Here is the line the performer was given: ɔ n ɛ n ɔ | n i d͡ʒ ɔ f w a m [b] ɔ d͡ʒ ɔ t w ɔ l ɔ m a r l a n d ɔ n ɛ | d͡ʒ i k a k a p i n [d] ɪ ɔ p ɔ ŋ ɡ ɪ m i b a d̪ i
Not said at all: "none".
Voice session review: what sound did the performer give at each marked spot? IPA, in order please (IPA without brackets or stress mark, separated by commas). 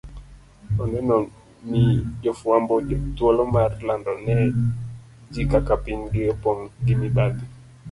b, ɡ